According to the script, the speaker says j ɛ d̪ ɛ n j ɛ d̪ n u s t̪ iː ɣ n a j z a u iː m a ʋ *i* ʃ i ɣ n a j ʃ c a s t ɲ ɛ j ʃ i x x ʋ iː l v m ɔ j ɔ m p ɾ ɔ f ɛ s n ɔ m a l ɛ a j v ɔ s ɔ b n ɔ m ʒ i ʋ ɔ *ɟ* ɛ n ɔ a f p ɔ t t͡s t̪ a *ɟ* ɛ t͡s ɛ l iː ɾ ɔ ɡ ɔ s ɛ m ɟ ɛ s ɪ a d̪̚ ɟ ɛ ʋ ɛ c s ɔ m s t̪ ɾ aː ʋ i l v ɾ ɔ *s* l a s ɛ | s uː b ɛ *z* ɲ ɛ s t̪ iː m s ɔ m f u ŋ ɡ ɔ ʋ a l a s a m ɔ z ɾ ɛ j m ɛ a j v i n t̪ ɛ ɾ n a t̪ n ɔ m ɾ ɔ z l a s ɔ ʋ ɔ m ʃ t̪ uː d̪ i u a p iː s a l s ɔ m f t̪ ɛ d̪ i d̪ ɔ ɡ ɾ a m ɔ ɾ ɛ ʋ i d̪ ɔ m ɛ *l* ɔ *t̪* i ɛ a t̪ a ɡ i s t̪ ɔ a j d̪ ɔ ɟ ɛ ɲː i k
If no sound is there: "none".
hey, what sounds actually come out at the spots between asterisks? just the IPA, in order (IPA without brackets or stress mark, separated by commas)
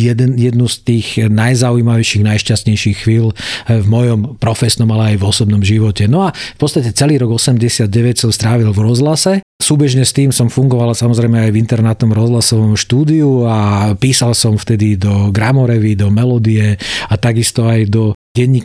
ɛ, c, c, z, ʒ, l, d̪